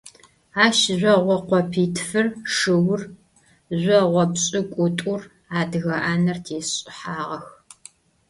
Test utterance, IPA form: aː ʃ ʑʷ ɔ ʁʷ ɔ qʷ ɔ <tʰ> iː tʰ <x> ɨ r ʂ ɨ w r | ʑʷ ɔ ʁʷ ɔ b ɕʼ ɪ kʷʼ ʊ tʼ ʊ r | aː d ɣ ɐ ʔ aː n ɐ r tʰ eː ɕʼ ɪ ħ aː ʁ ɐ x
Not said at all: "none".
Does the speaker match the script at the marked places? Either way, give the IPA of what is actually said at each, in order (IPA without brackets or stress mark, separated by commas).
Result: pʰ, f